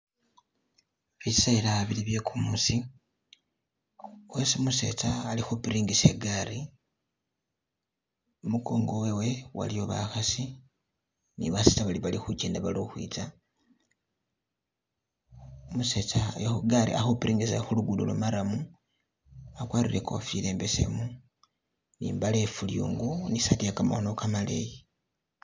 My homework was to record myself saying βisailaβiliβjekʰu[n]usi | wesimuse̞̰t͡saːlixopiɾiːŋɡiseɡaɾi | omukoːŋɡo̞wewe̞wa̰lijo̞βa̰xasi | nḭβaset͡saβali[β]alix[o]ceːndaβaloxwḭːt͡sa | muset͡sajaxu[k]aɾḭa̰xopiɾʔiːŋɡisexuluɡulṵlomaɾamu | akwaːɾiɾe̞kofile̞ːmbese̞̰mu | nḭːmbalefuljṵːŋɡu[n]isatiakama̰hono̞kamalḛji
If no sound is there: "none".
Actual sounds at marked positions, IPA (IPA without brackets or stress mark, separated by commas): m, β, u, ɡ, n